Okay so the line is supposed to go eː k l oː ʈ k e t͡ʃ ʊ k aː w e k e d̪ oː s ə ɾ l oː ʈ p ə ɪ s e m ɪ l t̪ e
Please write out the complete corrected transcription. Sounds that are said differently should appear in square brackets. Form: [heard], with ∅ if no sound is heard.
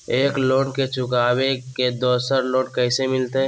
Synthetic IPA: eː k l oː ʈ k e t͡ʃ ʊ k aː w e k e d̪ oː s ə ɾ l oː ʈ [k] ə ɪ s e m ɪ l t̪ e